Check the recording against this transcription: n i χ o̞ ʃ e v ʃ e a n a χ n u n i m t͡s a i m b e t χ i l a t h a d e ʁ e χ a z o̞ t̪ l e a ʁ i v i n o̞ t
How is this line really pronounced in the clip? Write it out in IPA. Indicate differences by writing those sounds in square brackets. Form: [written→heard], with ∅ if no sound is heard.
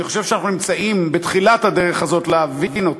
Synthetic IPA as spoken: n i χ o̞ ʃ e v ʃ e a n a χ n u n i m t͡s a i m b e t χ i l a t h a d e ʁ e χ a z o̞ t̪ l e a [ʁ→v] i v i n o̞ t